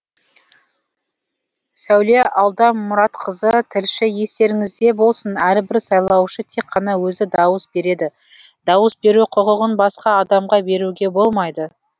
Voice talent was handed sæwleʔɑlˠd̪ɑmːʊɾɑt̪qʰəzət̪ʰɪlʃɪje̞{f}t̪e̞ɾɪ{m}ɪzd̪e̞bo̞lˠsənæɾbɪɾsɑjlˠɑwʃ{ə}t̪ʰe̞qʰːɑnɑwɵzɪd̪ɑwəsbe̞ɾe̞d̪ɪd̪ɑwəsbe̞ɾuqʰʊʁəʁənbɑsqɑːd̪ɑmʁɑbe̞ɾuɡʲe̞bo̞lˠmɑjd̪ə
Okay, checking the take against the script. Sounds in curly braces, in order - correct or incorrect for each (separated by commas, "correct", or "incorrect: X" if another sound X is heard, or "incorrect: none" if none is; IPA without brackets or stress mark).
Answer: incorrect: s, incorrect: ŋ, correct